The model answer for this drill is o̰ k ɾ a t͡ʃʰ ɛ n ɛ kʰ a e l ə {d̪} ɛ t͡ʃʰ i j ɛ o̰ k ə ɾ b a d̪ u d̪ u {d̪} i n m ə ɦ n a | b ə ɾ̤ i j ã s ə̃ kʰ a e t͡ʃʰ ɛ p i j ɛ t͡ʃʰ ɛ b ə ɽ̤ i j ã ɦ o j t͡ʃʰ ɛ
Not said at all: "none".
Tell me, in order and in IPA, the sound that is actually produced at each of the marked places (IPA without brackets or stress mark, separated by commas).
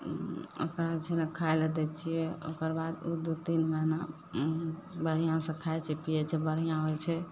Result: d̪, t̪